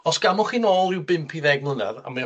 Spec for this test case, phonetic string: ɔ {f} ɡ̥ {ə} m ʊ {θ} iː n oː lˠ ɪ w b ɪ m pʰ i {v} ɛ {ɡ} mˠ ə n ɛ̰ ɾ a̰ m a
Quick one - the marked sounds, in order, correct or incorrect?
incorrect, incorrect, incorrect, incorrect, correct

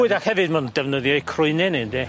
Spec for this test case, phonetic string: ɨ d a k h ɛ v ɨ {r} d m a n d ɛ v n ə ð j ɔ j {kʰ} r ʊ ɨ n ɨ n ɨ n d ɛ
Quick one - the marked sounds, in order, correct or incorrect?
incorrect, correct

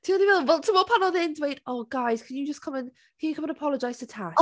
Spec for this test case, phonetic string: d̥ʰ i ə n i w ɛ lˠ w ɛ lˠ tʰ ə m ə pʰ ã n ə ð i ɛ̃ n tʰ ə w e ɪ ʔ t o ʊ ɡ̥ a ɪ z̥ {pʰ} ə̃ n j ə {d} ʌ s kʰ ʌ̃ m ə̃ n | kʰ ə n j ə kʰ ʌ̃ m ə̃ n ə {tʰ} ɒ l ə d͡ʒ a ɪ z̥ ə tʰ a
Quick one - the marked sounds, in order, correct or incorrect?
incorrect, incorrect, incorrect

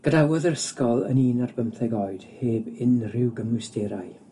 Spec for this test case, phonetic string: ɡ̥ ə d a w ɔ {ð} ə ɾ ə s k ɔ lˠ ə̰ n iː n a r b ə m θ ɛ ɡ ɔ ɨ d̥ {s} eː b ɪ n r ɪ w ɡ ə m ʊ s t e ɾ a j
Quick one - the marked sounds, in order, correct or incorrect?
correct, incorrect

